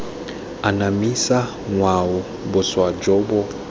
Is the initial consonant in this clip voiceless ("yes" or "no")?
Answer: no